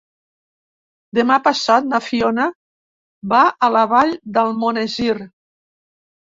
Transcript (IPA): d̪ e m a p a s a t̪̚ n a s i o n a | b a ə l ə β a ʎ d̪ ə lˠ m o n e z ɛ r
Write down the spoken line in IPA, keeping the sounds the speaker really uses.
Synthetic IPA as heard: d̪ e m a p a s a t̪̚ n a f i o n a | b a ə l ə β a ʎ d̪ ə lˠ m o n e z i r

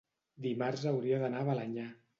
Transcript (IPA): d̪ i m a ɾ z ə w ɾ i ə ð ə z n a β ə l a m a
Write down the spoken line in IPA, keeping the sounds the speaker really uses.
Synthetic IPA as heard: d̪ i m a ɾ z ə w ɾ i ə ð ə n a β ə l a ɲ a

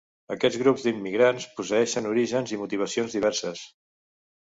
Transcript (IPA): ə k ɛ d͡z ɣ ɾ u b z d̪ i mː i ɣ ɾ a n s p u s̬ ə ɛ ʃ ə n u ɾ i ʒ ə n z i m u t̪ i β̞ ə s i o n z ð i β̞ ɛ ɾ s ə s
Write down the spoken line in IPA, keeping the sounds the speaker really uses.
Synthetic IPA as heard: ə k ɛ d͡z ɣ ɾ u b z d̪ i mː i ɣ ɾ a n s p u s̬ ə ɛ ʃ ə n u ɾ i ʒ ə n z i m u t̪ i β̞ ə s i o n z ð i β̞ ɛ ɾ s ə s

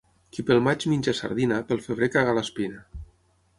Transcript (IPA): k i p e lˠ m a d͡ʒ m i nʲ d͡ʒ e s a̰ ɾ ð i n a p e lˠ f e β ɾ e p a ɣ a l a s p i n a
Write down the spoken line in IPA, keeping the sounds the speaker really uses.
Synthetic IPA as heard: k i p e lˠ m a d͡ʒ m i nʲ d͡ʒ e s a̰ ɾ ð i n a p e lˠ f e β ɾ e k a ɣ a l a s p i n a

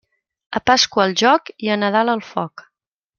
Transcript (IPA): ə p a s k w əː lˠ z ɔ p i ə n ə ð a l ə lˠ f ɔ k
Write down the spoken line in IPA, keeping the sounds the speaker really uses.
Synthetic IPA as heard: ə p a s k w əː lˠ ʒ ɔ k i ə n ə ð a l ə lˠ f ɔ k

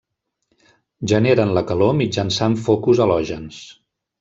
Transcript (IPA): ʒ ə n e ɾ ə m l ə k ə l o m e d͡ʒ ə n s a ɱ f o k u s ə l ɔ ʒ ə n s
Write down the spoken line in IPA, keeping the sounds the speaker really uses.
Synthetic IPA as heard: ʒ ə n e ɾ ə n l ə k ə l o m i d͡ʒ ə n s a ɱ f o k u z ə l ɔ ʒ ə n s

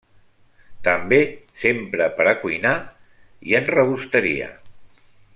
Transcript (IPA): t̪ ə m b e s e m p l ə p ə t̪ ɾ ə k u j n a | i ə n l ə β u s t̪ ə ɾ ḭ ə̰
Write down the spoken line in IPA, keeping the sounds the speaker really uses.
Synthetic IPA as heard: t̪ ə m b e s e m p ɾ ə p ə ɾ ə k u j n a | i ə n r ə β u s t̪ ə ɾ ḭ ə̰

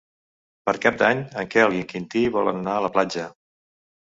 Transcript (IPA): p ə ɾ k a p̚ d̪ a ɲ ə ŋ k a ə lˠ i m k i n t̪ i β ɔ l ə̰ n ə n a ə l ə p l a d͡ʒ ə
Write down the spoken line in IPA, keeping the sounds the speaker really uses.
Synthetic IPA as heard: p ə ɾ k a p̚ d̪ a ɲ ə ŋ k ɛ ə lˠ i ŋ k i n t̪ i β ɔ l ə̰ n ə n a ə l ə p l a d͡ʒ ə

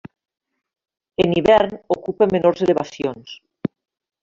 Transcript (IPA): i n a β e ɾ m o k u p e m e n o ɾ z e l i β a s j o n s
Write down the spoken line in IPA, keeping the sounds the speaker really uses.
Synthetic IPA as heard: e n i β ɛ ɾ n o k u p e m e n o ɾ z e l e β a s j o n s

